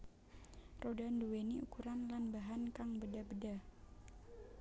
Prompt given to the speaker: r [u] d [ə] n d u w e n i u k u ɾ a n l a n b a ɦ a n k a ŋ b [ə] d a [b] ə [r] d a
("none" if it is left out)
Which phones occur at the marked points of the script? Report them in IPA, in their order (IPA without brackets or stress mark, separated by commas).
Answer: o, a, ə, b, none